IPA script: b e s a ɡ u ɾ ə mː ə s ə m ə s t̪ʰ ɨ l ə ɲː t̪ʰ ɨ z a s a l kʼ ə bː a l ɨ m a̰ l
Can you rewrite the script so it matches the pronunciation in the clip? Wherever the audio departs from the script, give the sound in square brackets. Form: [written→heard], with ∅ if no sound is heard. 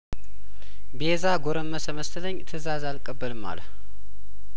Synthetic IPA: b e [s→z] a ɡ [u→o] ɾ ə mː ə s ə m ə s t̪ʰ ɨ l ə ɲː t̪ʰ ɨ z a [s→z] a l kʼ ə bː [a→ə] l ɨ m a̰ l